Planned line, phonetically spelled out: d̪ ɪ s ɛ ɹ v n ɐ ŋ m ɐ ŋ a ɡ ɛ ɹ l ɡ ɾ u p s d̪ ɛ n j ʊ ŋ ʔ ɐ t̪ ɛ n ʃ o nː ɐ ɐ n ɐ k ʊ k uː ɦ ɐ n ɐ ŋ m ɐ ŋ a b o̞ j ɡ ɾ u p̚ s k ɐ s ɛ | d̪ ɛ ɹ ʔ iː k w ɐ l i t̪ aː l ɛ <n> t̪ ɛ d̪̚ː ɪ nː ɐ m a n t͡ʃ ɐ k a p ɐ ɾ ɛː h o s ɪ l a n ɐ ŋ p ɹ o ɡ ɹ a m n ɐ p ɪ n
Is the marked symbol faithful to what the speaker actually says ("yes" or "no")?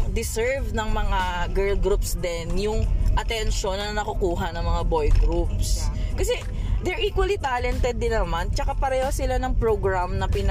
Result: yes